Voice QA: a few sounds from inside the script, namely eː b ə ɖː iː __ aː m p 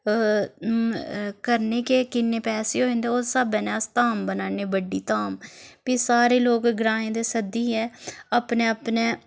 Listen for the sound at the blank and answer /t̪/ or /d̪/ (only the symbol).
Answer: t̪